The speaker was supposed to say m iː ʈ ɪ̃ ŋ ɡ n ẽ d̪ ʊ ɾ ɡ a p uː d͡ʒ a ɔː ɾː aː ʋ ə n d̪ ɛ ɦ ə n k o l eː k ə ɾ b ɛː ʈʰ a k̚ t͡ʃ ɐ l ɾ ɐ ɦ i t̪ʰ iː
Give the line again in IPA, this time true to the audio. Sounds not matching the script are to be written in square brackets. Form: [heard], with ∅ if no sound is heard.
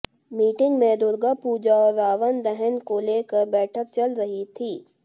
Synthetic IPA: m iː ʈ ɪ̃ ŋ ɡ [m] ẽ d̪ ʊ ɾ ɡ a p uː d͡ʒ a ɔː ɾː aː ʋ ə n d̪ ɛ ɦ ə n k o l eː k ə ɾ b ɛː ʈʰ [ə] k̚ t͡ʃ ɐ l ɾ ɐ ɦ i t̪ʰ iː